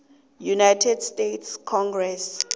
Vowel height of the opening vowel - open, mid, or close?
close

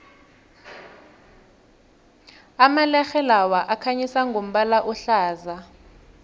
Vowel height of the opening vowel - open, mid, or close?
open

